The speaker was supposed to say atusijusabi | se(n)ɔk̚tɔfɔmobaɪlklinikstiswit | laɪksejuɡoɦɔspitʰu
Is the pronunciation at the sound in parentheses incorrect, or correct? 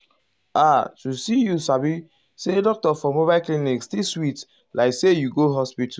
incorrect